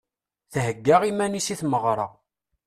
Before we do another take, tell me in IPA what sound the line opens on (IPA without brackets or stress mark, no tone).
θ